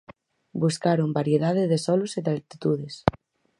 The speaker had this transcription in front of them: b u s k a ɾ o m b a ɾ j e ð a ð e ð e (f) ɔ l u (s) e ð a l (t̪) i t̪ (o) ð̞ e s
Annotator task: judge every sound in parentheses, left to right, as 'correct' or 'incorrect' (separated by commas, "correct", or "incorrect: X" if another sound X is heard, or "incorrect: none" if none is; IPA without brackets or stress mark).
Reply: incorrect: s, correct, correct, incorrect: u